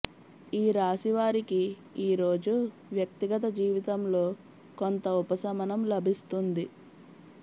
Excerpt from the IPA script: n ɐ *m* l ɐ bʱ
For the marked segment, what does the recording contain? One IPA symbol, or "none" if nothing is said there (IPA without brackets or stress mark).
m